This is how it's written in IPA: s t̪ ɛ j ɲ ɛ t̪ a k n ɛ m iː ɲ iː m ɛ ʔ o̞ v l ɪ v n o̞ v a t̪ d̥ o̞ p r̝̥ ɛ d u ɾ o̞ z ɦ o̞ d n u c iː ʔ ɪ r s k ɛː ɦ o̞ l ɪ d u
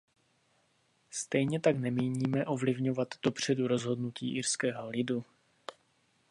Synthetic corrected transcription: s t̪ ɛ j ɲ ɛ t̪ a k n ɛ m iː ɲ iː m ɛ ʔ o̞ v l ɪ v ɲ o̞ v a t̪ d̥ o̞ p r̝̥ ɛ d u ɾ o̞ z ɦ o̞ d n u c iː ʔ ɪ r s k ɛː ɦ o̞ l ɪ d u